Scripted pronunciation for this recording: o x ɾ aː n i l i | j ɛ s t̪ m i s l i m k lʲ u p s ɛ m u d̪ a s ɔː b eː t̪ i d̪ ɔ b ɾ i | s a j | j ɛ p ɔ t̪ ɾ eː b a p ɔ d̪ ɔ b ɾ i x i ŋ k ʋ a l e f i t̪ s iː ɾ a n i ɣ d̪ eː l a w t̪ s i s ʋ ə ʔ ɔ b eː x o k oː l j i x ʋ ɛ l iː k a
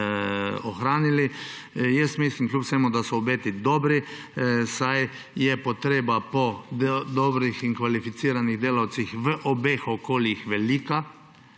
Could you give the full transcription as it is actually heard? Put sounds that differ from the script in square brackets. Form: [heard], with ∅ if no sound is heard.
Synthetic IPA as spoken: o x ɾ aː n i l i | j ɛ s t̪ m i s l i m k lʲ u p s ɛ m u d̪ a s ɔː b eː t̪ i d̪ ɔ b ɾ i | s a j | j ɛ p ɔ t̪ ɾ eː b a p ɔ d̪ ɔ b ɾ i x i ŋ k ʋ a l [i] f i t̪ s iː ɾ a n i ɣ d̪ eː l a w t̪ s i [x] ʋ ə ʔ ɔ b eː x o k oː l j i x ʋ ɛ l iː k a